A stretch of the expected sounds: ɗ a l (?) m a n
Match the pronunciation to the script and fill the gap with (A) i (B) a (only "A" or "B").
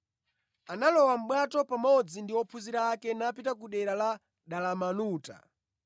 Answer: B